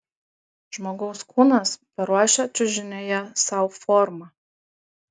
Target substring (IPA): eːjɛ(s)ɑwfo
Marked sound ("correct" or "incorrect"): correct